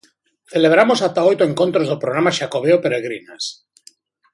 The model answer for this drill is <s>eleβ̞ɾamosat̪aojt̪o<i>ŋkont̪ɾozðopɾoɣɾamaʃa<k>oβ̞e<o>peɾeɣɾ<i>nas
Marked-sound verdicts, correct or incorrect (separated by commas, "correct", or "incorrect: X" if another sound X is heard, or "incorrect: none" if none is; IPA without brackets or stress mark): incorrect: θ, incorrect: e, correct, correct, correct